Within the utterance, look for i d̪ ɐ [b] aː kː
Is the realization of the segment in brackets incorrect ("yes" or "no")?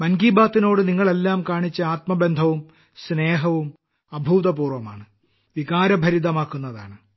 yes